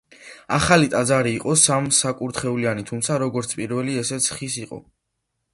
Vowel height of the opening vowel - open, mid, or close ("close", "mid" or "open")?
open